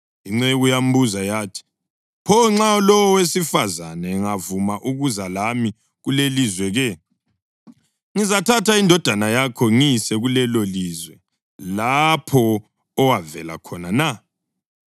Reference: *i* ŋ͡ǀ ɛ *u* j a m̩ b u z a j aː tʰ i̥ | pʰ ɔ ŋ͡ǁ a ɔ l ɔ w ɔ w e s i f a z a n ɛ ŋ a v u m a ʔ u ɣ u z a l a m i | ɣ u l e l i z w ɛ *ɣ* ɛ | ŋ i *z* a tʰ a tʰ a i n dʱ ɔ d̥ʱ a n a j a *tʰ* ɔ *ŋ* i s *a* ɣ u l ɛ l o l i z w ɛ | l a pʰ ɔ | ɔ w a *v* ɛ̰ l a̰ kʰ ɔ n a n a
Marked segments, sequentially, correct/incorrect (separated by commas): correct, correct, correct, correct, incorrect, correct, incorrect, correct